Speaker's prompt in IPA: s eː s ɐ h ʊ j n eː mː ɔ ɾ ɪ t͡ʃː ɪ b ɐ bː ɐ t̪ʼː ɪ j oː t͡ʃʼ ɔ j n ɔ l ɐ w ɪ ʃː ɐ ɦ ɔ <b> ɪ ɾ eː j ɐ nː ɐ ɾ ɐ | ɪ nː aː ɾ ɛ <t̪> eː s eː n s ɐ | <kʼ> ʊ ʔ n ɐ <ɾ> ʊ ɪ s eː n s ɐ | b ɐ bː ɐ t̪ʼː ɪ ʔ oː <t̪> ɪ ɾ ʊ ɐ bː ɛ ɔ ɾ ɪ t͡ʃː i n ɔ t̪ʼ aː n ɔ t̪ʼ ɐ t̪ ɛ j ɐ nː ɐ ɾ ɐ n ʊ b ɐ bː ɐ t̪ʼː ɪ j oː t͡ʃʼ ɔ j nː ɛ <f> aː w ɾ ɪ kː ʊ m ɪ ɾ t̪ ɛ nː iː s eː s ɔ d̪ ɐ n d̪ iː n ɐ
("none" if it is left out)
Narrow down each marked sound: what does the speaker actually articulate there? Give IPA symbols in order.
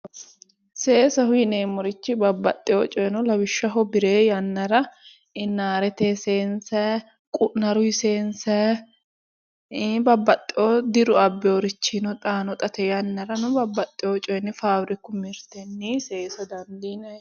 b, t̪, kʼ, ɾ, d̪, f

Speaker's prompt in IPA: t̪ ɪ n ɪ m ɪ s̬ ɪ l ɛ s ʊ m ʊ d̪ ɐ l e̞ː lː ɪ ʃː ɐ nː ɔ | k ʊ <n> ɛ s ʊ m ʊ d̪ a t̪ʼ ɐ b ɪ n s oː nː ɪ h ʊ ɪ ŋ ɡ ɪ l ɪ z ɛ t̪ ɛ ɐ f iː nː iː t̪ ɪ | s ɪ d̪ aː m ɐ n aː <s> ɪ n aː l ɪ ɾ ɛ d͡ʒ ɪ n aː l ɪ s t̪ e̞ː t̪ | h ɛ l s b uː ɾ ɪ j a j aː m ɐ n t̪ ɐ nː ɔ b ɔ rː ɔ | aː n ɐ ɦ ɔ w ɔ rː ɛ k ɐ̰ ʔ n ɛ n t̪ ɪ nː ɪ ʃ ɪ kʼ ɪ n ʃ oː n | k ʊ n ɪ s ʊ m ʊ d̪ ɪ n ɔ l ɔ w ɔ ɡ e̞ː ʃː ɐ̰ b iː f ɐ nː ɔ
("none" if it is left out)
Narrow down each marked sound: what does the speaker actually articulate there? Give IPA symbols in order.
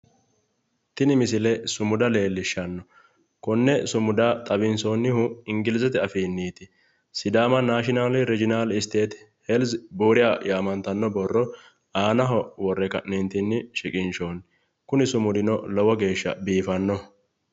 nː, ʃ

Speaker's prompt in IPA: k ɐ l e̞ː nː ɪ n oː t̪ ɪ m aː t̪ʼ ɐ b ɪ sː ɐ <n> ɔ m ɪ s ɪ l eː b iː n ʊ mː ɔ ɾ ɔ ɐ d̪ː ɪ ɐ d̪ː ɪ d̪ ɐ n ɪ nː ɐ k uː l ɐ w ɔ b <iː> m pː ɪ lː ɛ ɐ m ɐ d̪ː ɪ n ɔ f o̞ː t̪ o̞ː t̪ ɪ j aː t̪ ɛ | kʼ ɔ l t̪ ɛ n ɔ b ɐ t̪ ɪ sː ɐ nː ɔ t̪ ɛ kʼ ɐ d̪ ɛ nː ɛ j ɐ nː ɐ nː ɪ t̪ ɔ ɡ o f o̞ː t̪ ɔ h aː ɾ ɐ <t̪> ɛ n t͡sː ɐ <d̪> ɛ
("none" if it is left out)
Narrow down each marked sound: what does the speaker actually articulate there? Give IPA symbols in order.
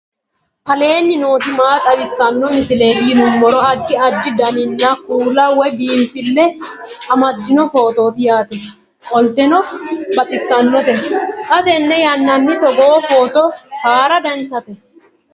nː, iː, d̪, t̪

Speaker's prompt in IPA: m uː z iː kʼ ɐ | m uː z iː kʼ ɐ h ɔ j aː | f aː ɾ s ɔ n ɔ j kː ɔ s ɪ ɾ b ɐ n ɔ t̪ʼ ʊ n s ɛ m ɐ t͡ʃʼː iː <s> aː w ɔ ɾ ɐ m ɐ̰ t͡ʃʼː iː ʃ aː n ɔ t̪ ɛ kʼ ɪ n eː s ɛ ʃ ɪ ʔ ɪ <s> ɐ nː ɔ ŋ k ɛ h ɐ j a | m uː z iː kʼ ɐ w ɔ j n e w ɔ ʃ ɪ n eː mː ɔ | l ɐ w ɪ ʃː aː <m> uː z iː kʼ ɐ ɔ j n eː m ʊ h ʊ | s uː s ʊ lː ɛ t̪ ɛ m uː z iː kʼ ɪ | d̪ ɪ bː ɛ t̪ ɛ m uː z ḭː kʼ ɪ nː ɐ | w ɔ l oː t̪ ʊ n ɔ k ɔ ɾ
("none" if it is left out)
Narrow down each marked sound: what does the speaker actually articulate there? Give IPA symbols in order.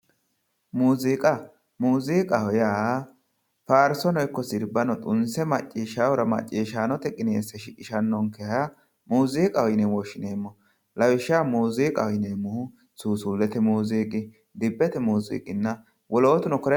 ʃ, ʃ, m

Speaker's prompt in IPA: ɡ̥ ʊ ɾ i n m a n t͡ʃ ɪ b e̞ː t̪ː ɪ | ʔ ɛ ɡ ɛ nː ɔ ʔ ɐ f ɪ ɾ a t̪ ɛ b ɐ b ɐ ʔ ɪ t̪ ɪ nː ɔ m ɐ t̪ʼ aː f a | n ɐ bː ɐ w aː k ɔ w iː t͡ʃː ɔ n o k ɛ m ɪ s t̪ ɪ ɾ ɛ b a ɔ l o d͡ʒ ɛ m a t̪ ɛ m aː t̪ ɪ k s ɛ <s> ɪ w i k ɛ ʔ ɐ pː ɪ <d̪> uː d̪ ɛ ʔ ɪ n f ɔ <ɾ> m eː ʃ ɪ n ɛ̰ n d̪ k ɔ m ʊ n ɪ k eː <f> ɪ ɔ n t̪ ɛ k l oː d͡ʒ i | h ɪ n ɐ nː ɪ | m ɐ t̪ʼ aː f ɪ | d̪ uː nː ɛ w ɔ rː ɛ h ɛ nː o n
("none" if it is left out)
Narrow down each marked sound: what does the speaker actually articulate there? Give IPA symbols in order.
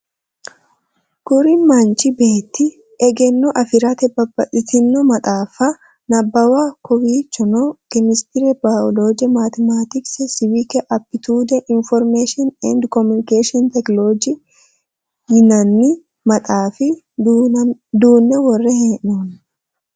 s, t̪, ɾ, ʃ

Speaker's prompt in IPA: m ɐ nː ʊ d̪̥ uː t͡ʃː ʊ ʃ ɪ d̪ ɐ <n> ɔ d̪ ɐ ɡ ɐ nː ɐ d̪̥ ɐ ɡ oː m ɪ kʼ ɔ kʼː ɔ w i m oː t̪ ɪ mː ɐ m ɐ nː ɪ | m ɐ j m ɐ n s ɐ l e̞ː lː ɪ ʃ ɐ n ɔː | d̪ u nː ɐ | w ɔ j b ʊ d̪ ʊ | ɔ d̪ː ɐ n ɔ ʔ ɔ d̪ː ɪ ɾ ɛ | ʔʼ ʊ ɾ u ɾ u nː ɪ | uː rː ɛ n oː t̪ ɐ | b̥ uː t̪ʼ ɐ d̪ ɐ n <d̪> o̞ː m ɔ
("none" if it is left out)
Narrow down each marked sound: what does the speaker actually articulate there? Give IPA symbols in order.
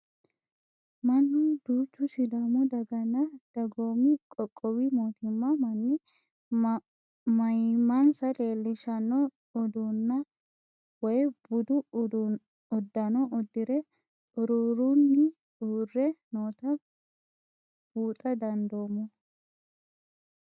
m, d̪

